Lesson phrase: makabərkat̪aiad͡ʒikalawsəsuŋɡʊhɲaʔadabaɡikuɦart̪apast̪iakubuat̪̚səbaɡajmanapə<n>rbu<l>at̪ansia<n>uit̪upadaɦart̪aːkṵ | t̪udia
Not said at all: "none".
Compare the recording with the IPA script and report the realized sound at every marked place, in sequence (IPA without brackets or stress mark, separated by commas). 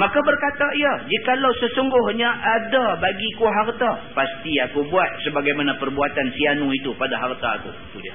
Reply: none, none, n